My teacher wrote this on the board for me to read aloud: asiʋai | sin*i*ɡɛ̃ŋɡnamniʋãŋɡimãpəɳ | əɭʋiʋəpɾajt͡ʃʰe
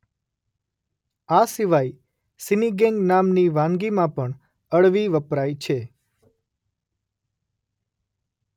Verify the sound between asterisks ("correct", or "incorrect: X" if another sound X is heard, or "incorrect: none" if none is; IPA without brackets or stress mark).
correct